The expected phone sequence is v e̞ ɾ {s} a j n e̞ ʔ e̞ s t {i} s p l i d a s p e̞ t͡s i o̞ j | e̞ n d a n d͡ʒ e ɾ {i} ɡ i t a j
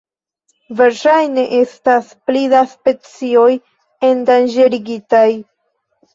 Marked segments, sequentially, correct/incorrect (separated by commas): incorrect, incorrect, correct